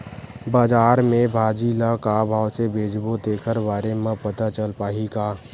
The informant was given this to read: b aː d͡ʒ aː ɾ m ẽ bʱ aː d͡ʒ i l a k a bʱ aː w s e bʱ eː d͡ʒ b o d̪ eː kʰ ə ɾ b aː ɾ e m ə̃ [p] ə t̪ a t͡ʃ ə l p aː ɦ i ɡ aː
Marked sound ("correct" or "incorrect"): correct